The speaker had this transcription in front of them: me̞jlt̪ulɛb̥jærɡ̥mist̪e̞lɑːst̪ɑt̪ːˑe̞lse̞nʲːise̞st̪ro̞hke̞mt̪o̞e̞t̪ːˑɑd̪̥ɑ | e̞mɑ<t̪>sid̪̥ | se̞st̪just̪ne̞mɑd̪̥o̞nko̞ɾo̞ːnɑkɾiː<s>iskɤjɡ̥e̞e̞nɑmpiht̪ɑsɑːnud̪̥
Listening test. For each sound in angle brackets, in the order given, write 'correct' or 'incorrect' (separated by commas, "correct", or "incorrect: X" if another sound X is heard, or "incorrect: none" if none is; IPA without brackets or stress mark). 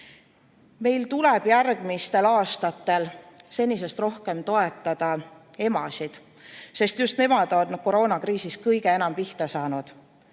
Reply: incorrect: none, correct